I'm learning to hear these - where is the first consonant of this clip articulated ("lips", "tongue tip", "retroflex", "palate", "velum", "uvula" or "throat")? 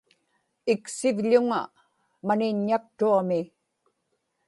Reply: velum